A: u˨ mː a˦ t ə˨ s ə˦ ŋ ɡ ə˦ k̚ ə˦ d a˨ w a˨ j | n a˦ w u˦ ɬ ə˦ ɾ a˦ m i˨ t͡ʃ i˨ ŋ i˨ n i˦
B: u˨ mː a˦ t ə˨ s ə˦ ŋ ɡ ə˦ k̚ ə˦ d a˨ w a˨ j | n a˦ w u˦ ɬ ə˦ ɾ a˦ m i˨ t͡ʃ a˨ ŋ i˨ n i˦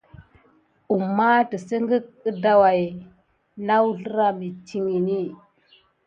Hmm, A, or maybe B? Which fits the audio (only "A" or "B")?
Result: A